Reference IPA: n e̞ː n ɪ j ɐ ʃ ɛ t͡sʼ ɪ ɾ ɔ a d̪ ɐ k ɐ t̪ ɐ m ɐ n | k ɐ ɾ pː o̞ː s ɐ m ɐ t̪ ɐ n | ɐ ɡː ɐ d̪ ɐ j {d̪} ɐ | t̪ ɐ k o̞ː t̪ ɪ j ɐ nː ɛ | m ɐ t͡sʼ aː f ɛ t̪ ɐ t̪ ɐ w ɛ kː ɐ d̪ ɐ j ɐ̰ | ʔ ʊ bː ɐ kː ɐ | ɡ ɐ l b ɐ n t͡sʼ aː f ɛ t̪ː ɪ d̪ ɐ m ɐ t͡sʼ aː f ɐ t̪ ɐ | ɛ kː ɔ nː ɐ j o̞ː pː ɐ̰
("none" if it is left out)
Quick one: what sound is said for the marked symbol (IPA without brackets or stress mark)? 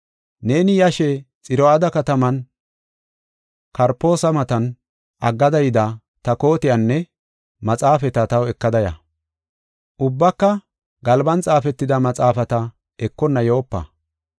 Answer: d̪